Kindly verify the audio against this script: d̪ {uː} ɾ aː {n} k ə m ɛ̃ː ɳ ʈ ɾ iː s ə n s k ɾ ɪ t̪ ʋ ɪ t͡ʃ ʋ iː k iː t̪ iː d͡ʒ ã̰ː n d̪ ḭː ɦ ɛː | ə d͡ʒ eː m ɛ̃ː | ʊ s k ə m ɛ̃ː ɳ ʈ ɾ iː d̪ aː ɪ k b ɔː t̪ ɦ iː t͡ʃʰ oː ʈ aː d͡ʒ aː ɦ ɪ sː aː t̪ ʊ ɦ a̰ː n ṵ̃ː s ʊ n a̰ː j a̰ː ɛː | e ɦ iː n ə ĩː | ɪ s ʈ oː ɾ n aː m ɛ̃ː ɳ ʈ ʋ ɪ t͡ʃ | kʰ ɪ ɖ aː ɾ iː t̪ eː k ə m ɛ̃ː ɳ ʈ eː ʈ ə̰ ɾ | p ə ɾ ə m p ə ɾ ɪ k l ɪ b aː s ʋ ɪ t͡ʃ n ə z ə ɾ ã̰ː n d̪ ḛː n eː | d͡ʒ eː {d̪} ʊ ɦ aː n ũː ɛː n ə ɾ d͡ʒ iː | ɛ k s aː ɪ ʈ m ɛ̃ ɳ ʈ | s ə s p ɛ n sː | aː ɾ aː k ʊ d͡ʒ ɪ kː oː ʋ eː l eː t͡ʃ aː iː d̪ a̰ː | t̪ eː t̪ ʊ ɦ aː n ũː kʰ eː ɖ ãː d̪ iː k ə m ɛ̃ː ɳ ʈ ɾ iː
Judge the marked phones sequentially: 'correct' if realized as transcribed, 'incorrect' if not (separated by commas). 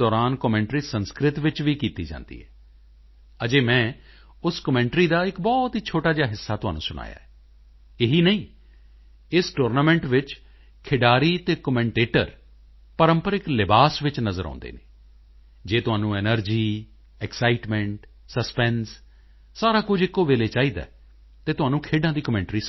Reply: incorrect, correct, incorrect